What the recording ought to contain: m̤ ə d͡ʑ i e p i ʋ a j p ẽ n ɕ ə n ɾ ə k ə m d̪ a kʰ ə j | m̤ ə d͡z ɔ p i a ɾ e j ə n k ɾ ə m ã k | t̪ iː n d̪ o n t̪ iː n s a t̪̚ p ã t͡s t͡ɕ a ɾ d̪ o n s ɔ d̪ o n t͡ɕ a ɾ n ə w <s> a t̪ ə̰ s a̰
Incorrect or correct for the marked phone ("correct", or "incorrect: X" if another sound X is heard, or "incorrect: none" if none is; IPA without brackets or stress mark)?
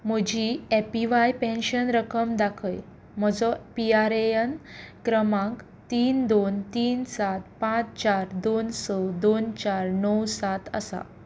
correct